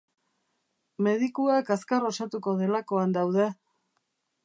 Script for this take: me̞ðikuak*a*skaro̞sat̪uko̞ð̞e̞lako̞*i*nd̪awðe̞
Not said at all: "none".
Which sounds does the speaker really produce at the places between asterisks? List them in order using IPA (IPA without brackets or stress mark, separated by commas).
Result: a, a